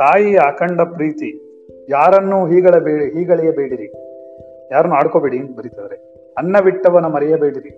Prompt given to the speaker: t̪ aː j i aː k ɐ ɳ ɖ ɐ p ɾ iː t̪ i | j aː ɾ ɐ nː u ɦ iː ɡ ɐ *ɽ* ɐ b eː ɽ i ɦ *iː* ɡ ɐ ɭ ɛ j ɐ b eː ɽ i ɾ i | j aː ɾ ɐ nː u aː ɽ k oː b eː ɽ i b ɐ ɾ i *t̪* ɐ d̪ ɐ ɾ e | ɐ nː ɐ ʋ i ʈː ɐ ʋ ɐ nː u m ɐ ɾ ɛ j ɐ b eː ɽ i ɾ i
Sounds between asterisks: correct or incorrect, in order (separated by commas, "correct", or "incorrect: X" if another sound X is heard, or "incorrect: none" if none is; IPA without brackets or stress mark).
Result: incorrect: ɭ, correct, correct